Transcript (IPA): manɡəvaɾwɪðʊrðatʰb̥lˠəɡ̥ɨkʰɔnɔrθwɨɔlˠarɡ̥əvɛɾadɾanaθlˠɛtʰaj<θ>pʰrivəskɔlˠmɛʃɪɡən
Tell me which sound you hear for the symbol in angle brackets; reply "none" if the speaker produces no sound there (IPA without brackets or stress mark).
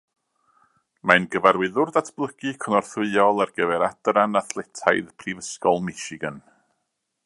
ð